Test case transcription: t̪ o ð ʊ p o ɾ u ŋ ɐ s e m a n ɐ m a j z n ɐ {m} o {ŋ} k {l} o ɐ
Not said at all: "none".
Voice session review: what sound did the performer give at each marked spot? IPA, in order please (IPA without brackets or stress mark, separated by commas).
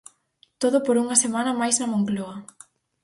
m, ŋ, l